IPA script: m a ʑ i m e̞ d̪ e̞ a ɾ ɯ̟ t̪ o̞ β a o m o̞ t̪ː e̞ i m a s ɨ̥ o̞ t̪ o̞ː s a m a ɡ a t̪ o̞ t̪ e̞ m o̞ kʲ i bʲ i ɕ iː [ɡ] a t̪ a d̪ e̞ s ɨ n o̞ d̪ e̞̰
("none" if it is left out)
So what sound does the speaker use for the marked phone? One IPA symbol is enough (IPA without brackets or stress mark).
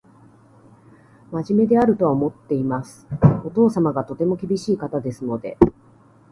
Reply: k